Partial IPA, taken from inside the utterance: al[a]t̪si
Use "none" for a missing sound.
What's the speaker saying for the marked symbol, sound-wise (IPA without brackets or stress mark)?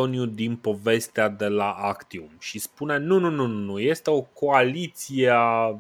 i